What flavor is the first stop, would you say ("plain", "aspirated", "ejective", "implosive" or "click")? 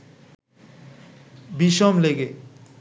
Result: plain